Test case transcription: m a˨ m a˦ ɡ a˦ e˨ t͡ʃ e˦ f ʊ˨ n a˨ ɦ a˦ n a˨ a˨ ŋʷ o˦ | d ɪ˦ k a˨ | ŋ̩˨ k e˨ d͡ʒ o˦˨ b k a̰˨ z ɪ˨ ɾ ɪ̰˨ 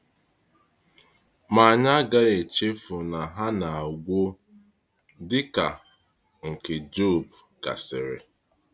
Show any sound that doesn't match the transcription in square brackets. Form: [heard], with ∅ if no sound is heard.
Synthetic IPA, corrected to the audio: m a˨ [ɲ] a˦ ɡ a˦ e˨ t͡ʃ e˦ f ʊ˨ n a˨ ɦ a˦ n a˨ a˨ [ɡʷ] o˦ | d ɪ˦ k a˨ | ŋ̩˨ k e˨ d͡ʒ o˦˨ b k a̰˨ [s] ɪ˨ ɾ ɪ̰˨

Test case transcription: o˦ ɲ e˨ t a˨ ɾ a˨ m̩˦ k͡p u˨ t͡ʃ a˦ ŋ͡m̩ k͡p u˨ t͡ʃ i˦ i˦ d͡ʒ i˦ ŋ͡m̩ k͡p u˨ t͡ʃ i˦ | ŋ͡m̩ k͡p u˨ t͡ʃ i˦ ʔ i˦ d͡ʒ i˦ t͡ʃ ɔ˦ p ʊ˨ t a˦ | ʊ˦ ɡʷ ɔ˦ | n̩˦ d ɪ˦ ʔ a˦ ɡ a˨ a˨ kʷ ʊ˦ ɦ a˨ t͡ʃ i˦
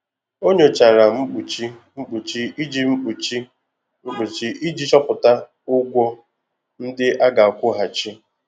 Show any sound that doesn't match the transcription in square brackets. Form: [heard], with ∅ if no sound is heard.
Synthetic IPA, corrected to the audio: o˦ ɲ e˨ [t͡ʃ] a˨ ɾ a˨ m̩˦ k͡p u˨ t͡ʃ [i˦] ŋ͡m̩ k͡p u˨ t͡ʃ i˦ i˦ d͡ʒ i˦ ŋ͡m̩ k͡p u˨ t͡ʃ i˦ | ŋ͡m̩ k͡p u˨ t͡ʃ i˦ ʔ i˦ d͡ʒ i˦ t͡ʃ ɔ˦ p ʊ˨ t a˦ | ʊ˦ ɡʷ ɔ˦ | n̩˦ d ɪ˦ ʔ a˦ ɡ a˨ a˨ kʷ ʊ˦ ɦ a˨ t͡ʃ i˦

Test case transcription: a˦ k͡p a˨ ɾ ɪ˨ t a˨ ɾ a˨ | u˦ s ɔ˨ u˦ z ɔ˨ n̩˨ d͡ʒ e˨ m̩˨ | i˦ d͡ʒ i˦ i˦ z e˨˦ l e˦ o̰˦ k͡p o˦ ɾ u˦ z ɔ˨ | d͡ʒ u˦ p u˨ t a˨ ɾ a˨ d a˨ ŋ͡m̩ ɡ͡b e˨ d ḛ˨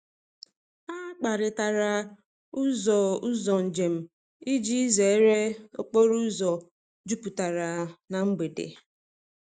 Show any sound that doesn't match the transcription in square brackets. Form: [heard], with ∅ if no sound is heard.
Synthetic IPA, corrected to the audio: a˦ k͡p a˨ ɾ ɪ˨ t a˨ ɾ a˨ | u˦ [z] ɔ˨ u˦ z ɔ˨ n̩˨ d͡ʒ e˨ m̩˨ | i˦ d͡ʒ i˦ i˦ z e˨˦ [ɾ] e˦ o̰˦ k͡p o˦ ɾ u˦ z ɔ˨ | d͡ʒ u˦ p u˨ t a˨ ɾ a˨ [n] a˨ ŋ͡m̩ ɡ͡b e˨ d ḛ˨

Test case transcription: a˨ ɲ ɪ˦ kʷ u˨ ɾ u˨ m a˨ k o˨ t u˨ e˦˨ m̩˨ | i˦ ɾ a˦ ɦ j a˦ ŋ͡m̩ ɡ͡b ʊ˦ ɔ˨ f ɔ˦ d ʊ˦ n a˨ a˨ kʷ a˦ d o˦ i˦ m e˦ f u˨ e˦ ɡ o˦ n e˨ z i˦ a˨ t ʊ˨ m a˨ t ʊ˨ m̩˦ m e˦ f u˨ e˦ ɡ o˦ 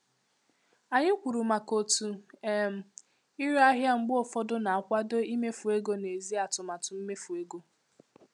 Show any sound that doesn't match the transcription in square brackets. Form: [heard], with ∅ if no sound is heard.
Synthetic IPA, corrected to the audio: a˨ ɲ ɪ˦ kʷ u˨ ɾ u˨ m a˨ k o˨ t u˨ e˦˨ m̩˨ | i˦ ɾ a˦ ɦ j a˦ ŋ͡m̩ ɡ͡b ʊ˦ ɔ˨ f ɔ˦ d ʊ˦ n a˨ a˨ kʷ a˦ d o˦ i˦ m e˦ f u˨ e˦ ɡ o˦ n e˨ z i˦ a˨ t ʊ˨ m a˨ t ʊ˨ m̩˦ m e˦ f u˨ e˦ ɡ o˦

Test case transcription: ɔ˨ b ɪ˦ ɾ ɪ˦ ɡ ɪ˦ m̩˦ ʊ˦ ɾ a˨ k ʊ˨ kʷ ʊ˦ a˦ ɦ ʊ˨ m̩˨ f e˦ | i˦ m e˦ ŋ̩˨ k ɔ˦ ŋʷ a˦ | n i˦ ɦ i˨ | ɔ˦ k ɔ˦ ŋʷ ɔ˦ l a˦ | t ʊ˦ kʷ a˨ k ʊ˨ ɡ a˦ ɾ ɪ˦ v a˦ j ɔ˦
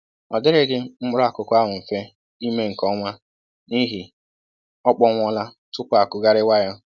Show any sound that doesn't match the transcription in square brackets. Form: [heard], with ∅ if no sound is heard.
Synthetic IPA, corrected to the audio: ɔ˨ [d] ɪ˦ ɾ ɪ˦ ɡ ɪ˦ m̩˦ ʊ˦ ɾ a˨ k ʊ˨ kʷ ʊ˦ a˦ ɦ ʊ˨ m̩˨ f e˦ | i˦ m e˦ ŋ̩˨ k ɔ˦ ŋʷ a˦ | n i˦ ɦ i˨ | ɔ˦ [k͡p] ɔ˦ ŋʷ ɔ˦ l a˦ | t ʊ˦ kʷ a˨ k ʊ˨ ɡ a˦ ɾ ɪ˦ [w] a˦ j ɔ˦

